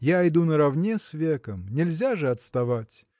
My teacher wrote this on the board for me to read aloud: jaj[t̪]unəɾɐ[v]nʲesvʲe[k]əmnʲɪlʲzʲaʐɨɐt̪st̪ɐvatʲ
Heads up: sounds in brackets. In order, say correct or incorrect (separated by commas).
incorrect, correct, correct